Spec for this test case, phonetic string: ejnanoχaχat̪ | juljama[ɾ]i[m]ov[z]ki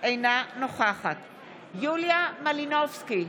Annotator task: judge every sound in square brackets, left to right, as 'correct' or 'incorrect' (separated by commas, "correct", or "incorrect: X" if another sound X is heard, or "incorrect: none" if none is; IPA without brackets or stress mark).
incorrect: l, incorrect: n, incorrect: s